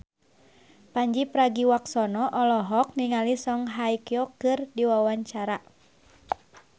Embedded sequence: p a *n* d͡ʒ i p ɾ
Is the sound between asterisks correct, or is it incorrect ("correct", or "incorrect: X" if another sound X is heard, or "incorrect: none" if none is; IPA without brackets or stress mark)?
incorrect: ɲ